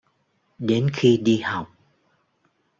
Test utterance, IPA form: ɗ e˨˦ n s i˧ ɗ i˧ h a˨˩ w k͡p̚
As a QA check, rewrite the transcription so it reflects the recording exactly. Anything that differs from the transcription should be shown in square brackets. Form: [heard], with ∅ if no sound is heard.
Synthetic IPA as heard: ɗ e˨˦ n [x] i˧ ɗ i˧ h a˨˩ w k͡p̚

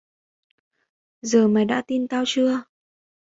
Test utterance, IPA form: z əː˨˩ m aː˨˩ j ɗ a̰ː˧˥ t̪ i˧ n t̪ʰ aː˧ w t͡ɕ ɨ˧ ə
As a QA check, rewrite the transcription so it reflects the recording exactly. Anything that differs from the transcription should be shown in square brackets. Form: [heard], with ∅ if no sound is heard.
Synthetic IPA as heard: z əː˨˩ m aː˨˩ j ɗ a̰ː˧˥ t̪ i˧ n [t̪] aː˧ w t͡ɕ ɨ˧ ə

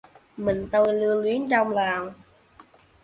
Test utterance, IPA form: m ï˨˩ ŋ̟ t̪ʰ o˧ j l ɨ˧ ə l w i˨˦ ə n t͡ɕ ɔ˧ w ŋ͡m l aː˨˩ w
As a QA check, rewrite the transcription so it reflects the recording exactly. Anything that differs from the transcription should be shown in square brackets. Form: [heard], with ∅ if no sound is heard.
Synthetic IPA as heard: m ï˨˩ ŋ̟ [t̪] o˧ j l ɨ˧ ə l w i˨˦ ə n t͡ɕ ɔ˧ w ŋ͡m l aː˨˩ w

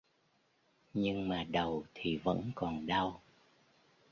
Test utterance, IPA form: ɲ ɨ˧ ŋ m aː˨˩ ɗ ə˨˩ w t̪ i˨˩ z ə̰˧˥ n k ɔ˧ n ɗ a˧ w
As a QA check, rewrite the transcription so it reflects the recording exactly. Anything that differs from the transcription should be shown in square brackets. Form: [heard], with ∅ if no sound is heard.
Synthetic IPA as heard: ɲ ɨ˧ ŋ m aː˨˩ ɗ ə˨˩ w [t̪ʰ] i˨˩ [v] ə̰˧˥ n k [ɔ˨˩] n ɗ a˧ w

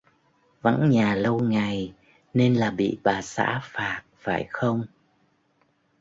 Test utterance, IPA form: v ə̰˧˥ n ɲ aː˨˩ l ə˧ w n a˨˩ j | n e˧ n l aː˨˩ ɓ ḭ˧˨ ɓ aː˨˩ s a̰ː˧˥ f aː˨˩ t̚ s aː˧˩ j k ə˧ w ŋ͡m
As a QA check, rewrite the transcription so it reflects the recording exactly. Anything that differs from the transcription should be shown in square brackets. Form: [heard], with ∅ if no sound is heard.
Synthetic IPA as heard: v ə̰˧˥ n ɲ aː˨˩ l ə˧ w [ŋ] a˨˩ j | n e˧ n l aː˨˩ ɓ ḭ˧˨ ɓ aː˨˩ s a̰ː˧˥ f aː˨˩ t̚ [f] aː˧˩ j [x] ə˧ w ŋ͡m

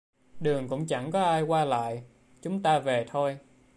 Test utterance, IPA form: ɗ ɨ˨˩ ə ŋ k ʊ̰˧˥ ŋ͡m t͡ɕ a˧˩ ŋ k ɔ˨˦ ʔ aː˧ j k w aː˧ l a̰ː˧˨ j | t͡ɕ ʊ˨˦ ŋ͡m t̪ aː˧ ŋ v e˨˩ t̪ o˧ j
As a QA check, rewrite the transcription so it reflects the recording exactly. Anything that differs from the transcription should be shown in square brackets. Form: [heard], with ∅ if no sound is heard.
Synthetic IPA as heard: ɗ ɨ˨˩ ə ŋ k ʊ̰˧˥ ŋ͡m t͡ɕ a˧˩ ŋ k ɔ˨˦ ʔ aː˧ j k w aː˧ l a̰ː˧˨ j | t͡ɕ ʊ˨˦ ŋ͡m t̪ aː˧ [∅] v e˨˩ [t̪ʰ] o˧ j

